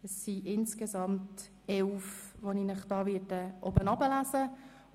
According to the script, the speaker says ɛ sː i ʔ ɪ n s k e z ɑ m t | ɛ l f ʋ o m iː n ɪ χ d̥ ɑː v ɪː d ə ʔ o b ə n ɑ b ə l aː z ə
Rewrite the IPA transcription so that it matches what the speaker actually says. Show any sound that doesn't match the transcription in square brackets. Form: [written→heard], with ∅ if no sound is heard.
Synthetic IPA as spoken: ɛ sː i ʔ ɪ n s k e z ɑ m t | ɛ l f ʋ o [m→n] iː n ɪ χ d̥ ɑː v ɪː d ə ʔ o b ə n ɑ b ə l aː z ə

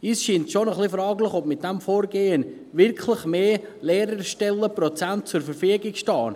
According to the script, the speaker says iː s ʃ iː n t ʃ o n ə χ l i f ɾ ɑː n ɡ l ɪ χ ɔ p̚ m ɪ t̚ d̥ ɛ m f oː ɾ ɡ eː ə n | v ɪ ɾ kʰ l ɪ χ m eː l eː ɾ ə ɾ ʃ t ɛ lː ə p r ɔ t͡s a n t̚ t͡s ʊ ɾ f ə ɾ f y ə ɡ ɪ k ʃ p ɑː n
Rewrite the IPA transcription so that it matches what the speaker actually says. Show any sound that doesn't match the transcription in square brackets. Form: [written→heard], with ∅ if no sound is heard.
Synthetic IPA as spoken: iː s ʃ iː n t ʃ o n ə χ l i f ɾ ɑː [n→∅] ɡ l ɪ χ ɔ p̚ m ɪ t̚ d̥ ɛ m f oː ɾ ɡ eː ə n | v ɪ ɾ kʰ l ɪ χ m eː l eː ɾ ə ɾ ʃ t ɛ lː ə p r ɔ t͡s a n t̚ t͡s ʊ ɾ f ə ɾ f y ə ɡ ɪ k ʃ [p→t] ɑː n

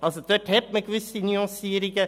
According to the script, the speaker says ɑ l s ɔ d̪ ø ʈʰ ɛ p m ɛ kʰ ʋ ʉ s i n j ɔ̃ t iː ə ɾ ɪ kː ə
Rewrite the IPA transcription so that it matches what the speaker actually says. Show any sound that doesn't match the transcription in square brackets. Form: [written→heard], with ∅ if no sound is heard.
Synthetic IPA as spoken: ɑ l s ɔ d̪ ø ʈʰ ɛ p m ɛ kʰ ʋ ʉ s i n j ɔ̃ [t→s] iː ə ɾ ɪ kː ə

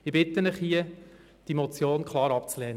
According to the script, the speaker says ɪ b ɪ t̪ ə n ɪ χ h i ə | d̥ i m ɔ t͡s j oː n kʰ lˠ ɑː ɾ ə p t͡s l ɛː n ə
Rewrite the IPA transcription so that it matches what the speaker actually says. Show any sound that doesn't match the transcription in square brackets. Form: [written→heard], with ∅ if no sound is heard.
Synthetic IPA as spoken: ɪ b ɪ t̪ ə n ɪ χ h i ə | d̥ i m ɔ t͡s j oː n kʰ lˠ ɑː ɾ [ə→ɑ] p t͡s l ɛː n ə

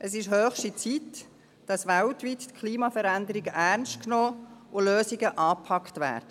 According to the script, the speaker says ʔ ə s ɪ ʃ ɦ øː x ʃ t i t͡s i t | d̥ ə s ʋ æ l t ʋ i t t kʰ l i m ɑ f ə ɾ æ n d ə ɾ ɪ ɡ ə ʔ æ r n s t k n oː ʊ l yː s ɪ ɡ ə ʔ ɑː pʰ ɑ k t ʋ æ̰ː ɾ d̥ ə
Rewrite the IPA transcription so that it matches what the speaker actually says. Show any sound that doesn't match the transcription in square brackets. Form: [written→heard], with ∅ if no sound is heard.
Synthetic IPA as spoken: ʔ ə s ɪ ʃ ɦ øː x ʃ t i t͡s i t | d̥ [ə→ɑ] s ʋ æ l t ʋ i t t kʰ l [i→iː] m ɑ f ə ɾ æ n d ə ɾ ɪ ɡ ə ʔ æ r n s t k n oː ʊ l [yː→øː] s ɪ ɡ ə ʔ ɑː pʰ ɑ k t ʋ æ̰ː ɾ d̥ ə

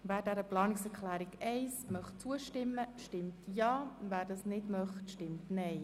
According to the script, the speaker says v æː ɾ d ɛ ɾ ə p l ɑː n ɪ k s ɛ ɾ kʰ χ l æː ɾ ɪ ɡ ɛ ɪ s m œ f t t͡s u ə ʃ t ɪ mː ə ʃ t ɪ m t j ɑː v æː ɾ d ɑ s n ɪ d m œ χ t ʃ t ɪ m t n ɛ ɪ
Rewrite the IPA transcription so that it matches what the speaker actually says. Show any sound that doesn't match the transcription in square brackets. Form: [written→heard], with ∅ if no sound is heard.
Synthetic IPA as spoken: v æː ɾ d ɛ ɾ ə p l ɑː n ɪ k s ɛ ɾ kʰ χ l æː ɾ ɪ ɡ ɛ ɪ s m œ [f→χ] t t͡s u ə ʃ t ɪ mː ə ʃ t ɪ m t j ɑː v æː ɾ d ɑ s n ɪ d m œ χ t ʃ t ɪ m t n ɛ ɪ

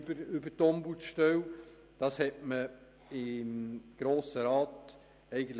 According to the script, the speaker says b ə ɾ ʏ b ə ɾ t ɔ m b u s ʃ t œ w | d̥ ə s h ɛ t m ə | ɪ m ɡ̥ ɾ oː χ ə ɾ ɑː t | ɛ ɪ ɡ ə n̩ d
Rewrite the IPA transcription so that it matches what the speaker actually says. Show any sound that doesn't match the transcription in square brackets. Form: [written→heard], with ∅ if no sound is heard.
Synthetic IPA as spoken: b ə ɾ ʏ b ə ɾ t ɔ m b u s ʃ t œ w | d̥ [ə→ɑ] s h ɛ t m ə | ɪ m ɡ̥ ɾ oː [χ→s] ə ɾ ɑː t | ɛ ɪ ɡ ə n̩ [d→t]

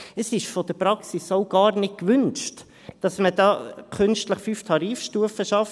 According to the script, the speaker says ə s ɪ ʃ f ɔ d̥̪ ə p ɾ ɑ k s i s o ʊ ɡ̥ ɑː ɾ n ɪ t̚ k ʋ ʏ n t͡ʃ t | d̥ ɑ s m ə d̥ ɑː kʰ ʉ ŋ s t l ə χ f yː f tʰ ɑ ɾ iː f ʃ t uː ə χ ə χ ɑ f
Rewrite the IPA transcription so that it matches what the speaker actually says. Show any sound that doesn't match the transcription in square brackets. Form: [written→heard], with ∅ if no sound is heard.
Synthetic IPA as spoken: ə s ɪ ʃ f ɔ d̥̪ ə p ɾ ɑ k s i s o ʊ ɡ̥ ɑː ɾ n ɪ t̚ k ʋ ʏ n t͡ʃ t | d̥ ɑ s m ə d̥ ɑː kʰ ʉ [ŋ→n] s t l ə χ f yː f tʰ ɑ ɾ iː f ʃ t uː ə [χ→f] ə [χ→ʃ] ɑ f

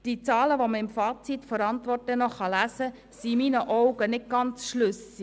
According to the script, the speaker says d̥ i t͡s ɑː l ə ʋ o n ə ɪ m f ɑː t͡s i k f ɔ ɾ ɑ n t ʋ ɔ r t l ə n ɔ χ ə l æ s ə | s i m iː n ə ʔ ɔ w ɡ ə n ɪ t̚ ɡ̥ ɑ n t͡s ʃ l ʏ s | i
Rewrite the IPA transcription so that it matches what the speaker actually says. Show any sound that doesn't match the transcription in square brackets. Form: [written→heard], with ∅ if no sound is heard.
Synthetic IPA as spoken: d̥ i t͡s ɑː l ə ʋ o [n→m] ə ɪ m f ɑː t͡s i [k→t] f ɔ ɾ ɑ n t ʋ ɔ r t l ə n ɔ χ [ə→ɑ] l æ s ə | s i m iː n ə ʔ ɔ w ɡ ə n ɪ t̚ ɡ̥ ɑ n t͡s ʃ l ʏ s | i

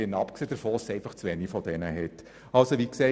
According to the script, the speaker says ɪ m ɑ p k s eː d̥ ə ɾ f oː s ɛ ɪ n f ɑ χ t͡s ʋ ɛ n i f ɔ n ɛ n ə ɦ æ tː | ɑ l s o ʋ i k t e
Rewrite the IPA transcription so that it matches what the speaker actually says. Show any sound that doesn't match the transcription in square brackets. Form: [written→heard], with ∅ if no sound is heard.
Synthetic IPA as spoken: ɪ [m→n] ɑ p k s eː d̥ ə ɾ f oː s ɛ ɪ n f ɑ χ t͡s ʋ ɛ n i f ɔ [n→d] ɛ n ə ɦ [æ→ɛ] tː | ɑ l s o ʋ i k [t→s] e

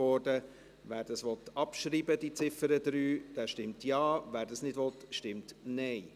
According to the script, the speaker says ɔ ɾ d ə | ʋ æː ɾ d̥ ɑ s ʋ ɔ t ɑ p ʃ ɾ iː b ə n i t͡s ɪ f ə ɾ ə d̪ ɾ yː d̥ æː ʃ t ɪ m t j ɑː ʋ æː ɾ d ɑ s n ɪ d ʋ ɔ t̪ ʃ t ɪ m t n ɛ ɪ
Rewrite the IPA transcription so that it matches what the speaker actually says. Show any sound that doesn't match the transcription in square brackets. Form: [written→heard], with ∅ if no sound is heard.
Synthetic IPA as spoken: ɔ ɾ d ə | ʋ æː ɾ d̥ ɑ s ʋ ɔ t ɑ p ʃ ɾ iː b ə [n→d] i t͡s ɪ f ə ɾ ə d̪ ɾ yː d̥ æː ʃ t ɪ m t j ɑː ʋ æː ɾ d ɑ s n ɪ d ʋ ɔ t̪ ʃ t ɪ m t n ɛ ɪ

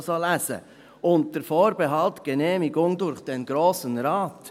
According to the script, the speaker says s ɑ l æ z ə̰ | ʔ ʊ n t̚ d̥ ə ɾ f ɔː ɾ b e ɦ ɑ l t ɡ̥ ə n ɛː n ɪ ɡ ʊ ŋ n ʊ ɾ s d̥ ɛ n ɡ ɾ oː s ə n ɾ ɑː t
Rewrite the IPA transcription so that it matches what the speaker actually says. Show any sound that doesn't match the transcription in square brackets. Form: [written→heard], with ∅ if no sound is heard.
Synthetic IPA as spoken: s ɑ l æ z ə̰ | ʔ ʊ n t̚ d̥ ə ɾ f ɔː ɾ b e ɦ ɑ l t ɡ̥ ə n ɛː [n→m] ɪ ɡ ʊ ŋ [n→d] ʊ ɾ [s→χ] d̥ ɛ n ɡ ɾ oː s ə n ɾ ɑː t

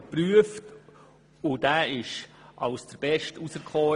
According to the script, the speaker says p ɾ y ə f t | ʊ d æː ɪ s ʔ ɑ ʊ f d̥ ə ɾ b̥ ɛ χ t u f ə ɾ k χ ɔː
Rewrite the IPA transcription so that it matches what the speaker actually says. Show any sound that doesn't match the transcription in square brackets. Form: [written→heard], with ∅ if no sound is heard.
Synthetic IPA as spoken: p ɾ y ə f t | ʊ d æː ɪ [s→ʃ] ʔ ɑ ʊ [f→s] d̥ ə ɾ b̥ ɛ [χ→ʃ] t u [f→s] ə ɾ k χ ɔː

